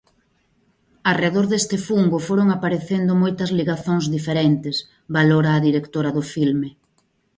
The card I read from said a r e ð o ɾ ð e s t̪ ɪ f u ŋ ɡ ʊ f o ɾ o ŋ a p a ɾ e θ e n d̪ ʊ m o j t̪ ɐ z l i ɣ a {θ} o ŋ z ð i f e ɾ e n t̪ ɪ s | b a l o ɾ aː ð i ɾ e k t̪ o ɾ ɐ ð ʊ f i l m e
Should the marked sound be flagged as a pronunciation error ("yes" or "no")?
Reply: no